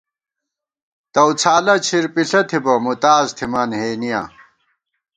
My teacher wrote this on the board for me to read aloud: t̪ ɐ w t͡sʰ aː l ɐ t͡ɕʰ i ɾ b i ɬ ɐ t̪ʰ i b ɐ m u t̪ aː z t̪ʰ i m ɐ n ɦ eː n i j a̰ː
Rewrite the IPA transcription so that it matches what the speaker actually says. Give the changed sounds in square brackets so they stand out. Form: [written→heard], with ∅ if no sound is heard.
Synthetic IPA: t̪ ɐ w t͡sʰ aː l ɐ t͡ɕʰ i ɾ [b→p] i ɬ ɐ t̪ʰ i b ɐ m u t̪ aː z t̪ʰ i m ɐ n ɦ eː n i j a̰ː